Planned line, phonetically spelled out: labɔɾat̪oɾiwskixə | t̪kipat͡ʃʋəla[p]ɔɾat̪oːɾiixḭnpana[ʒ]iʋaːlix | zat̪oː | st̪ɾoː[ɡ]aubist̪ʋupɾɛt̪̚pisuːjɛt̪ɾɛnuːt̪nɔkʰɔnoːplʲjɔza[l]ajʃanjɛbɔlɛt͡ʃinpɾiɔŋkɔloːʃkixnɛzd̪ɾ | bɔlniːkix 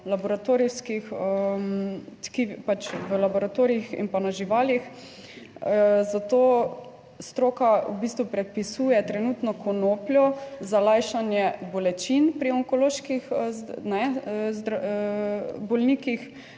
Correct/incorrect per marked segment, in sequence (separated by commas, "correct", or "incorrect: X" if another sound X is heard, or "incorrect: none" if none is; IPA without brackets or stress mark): incorrect: b, correct, incorrect: k, correct